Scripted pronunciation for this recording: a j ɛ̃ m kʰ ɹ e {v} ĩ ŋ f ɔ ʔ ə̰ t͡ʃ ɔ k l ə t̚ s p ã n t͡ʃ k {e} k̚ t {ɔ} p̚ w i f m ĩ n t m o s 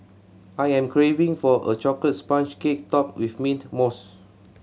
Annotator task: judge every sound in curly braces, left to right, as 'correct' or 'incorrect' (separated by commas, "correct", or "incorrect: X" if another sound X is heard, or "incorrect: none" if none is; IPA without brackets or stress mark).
correct, correct, correct